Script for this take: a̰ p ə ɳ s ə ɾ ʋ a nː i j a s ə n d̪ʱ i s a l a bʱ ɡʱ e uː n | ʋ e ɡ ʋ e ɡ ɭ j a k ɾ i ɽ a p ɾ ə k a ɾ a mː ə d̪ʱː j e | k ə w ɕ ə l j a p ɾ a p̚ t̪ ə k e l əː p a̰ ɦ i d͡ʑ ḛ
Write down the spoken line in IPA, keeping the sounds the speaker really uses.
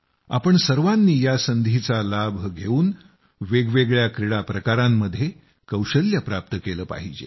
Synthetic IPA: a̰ p ə ɳ s ə ɾ ʋ a nː iː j a s ə n d̪ʱ i t͡s a l a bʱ ɡʱ e uː n | ʋ e ɡ ʋ e ɡ ɭ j a k ɾ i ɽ a p ɾ ə k a ɾ a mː ə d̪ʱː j e | k ə w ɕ ə l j a p ɾ a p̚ t̪ ə k e l əː p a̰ ɦ i d͡ʑ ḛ